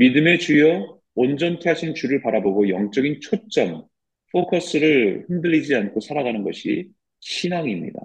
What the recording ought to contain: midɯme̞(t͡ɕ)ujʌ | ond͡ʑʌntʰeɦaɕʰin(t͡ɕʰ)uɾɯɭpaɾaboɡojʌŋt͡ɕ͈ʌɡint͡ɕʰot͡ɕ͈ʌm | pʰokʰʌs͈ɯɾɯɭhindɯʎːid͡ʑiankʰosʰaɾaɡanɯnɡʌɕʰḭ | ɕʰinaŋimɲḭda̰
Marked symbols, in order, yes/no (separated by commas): yes, no